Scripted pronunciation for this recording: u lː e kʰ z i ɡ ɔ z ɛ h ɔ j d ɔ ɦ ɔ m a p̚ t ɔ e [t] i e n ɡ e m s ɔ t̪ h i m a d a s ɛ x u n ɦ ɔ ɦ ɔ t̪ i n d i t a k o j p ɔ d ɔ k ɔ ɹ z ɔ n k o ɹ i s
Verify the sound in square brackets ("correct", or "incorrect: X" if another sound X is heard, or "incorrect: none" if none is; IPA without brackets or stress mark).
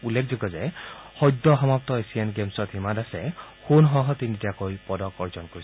incorrect: s